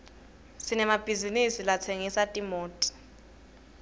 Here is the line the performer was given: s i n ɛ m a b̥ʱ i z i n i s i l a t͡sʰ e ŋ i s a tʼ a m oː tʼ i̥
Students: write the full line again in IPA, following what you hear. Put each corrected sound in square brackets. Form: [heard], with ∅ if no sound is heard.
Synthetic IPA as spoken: s i n ɛ m a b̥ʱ i z i n i s i l a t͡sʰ e ŋ i s a tʼ [i] m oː tʼ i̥